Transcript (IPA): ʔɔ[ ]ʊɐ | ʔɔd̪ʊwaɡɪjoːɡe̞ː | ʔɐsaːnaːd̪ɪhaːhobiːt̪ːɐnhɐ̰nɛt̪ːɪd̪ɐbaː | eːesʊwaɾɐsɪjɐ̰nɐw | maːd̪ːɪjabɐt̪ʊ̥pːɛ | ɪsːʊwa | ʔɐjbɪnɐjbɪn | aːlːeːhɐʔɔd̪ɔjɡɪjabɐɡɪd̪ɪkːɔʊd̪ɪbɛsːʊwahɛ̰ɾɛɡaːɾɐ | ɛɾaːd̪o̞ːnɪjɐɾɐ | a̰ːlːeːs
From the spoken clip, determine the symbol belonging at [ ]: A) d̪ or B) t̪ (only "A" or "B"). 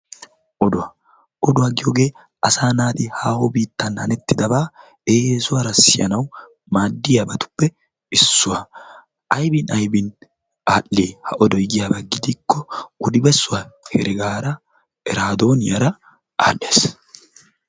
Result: A